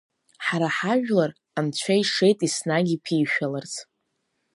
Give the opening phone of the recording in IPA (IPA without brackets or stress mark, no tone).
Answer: ħ